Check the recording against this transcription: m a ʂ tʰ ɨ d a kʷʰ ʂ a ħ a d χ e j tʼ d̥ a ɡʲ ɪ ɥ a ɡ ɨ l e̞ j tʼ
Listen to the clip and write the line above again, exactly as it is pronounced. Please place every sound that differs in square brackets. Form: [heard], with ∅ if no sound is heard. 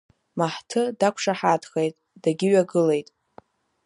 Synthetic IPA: m a [ħ] tʰ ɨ d a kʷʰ ʂ a ħ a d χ e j tʼ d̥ a ɡʲ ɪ ɥ a ɡ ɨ l e̞ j tʼ